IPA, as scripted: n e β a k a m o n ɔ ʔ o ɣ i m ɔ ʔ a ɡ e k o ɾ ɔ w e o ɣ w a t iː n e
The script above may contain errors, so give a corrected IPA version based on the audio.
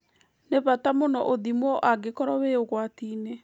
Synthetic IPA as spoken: n e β a t a m o n ɔ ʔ o ð i m ɔ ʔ a ɡ e k ɔ ɾ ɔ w e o ɣ w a t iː n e